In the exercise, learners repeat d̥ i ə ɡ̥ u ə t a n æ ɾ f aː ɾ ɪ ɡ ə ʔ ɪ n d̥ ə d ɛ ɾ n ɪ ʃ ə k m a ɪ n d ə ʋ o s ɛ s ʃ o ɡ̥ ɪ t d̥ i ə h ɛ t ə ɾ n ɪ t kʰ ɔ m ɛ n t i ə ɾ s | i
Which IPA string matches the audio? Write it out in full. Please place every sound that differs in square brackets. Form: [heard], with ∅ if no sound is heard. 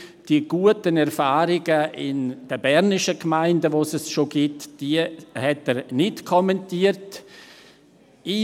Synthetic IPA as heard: d̥ i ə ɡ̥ u ə t [ə] n [ɛ] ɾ f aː ɾ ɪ ɡ ə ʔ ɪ n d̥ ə [b] ɛ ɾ n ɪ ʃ ə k m a ɪ n d ə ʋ o s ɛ s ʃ o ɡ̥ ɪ t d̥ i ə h ɛ t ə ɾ n ɪ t kʰ ɔ m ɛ n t i ə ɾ [t] | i